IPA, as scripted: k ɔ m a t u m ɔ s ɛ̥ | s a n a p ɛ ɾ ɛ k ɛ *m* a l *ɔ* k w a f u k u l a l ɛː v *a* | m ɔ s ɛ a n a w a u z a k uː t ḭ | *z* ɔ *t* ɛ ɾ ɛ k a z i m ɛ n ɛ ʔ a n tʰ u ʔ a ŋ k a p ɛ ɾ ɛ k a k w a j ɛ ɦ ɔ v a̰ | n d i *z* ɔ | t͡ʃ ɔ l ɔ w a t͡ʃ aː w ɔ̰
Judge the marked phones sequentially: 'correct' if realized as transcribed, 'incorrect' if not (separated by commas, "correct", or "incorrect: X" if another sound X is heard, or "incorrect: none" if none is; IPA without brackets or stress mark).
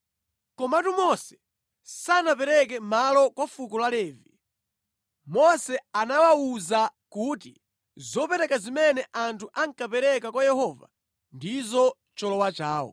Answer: correct, correct, incorrect: i, correct, incorrect: p, correct